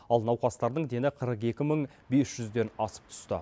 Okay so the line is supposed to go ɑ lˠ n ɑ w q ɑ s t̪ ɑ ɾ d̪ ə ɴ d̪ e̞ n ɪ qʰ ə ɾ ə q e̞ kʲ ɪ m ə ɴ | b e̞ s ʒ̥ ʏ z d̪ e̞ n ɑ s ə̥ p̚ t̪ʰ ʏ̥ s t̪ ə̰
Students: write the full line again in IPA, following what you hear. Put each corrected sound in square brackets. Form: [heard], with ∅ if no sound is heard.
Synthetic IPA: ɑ lˠ n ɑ w q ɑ s t̪ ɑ ɾ d̪ ə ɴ d̪ e̞ n ɪ qʰ ə ɾ ə q e̞ kʲ ɪ m ə ɴ | b e̞ s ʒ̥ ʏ z d̪ e̞ n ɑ s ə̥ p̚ t̪ʰ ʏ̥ s t̪ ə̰